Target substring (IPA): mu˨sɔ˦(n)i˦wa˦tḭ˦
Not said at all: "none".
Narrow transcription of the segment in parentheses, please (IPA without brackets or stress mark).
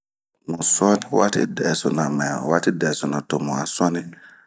n